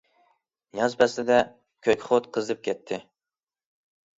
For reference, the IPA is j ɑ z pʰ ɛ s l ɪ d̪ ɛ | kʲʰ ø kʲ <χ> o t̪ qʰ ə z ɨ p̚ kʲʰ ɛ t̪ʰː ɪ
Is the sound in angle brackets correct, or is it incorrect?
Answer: correct